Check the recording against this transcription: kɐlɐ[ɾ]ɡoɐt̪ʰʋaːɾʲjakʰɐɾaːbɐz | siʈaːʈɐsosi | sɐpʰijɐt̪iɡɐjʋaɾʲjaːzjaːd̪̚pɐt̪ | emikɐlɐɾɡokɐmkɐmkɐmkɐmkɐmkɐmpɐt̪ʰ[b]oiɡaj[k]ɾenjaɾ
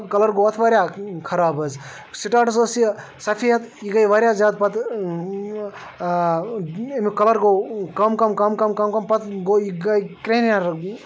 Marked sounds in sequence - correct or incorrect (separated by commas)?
correct, incorrect, correct